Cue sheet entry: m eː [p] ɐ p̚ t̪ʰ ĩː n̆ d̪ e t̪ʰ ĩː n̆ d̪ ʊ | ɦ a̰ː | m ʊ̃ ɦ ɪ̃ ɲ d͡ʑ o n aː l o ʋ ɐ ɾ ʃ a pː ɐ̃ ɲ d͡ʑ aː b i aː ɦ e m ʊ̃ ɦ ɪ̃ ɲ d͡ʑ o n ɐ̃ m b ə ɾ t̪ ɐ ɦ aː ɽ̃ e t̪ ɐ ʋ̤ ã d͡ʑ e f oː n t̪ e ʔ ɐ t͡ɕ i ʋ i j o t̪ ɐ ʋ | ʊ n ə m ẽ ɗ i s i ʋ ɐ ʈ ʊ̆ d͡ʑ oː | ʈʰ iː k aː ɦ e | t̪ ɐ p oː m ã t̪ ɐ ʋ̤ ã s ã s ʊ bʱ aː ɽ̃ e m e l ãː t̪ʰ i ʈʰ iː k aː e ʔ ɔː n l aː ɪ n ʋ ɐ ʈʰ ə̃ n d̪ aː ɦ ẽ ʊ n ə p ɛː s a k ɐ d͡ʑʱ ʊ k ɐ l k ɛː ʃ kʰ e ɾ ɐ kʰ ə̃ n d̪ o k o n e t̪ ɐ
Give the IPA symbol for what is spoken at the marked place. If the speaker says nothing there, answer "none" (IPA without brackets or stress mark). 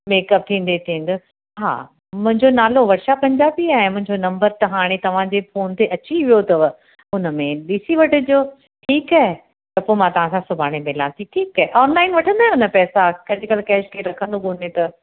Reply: k